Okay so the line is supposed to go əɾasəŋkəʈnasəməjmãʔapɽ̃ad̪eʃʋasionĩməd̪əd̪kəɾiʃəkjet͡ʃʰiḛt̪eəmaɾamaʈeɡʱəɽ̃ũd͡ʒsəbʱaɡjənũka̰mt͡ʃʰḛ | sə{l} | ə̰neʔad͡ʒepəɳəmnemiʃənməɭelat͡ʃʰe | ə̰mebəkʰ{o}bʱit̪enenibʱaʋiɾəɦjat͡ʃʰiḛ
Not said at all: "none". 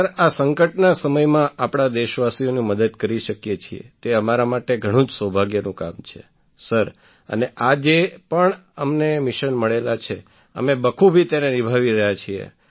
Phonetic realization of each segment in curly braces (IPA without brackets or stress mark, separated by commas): ɾ, u